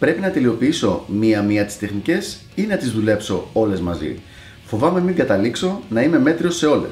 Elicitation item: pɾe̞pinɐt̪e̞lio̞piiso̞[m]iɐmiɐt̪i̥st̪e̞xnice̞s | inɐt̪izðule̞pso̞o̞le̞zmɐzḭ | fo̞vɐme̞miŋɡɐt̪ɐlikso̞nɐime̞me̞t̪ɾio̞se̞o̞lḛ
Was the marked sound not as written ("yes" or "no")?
no